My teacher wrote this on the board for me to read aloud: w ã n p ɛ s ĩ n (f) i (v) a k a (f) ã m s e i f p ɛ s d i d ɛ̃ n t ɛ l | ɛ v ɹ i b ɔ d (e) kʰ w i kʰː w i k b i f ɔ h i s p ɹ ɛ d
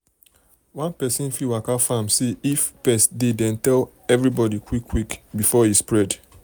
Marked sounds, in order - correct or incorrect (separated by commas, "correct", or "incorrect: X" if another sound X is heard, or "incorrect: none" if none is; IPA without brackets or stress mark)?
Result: correct, incorrect: w, correct, incorrect: i